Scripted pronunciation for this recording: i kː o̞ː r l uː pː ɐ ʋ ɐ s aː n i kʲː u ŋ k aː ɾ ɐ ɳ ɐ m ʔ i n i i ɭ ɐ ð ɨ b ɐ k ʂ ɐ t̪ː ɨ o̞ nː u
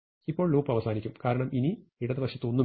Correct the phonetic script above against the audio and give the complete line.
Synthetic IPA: i pː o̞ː ɭ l uː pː ɐ ʋ ɐ s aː n i kʲː u m k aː ɾ ɐ ɳ ɐ m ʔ i n i i ɽ ɐ ð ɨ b ɐ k ʂ ɐ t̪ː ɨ o̞ nː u